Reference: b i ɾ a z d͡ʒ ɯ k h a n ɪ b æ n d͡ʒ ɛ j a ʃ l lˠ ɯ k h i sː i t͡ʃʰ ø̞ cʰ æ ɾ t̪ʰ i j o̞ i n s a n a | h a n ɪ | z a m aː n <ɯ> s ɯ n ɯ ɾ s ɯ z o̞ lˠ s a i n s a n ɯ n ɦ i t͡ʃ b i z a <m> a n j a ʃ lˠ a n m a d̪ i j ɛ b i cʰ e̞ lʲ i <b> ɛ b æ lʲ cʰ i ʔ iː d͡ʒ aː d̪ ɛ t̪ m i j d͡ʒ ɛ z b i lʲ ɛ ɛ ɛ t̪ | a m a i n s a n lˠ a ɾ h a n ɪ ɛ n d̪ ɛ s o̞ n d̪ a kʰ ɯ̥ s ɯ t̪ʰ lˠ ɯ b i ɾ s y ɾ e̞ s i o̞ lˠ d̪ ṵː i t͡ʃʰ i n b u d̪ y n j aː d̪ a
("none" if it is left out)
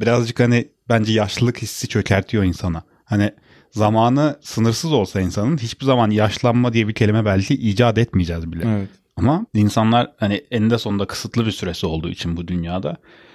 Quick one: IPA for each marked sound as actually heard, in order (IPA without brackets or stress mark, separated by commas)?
ɯ, m, m